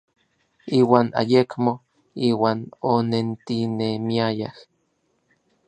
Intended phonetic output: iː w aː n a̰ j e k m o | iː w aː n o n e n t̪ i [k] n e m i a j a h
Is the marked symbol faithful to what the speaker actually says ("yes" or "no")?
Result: no